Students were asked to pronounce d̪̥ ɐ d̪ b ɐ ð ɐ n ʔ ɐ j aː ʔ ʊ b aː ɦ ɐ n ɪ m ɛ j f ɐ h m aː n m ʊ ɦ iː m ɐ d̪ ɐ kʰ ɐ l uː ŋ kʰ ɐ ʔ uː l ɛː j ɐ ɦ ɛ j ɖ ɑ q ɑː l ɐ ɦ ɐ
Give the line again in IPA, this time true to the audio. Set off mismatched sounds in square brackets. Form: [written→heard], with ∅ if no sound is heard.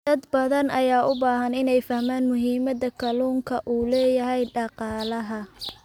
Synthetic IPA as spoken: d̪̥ ɐ d̪ b ɐ ð ɐ n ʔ ɐ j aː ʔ ʊ b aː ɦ ɐ n ɪ [m→n] ɛ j f ɐ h m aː n m ʊ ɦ iː m ɐ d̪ ɐ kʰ ɐ l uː ŋ kʰ ɐ ʔ uː l ɛː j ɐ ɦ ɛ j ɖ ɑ q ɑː l ɐ ɦ ɐ